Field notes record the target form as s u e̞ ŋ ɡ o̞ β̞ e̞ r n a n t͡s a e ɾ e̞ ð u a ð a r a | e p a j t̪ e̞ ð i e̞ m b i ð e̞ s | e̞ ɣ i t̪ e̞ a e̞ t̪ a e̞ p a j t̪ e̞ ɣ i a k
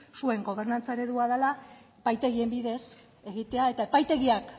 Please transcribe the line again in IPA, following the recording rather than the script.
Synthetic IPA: s u e̞ ŋ ɡ o̞ β̞ e̞ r n a n t͡s a e ɾ e̞ ð u a ð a l a | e p a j t̪ e̞ ɣ i e̞ m b i ð e̞ s | e̞ ɣ i t̪ e̞ a e̞ t̪ a e̞ p a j t̪ e̞ ɣ i a k